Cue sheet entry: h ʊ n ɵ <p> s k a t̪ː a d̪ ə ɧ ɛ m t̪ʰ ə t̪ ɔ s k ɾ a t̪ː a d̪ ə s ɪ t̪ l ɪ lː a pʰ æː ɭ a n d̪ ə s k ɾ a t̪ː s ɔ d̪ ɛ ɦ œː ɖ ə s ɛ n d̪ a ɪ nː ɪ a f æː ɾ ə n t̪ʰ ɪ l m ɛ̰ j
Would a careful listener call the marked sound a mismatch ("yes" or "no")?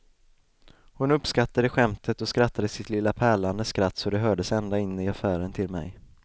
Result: no